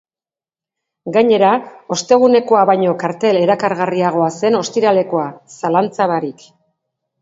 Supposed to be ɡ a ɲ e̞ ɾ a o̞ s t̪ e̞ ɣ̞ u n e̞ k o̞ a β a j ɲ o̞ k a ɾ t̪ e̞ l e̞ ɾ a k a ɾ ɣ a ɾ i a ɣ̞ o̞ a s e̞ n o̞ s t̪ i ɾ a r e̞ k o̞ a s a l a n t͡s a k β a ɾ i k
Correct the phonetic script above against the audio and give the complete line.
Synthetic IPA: ɡ a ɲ e̞ ɾ a o̞ s t̪ e̞ ɣ̞ u n e̞ k o̞ a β a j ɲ o̞ k a ɾ t̪ e̞ l e̞ ɾ a k a ɾ ɣ a r i a ɣ̞ o̞ a s e̞ n o̞ s t̪ i ɾ a l e̞ k o̞ a s a l a n t͡s a β a ɾ i k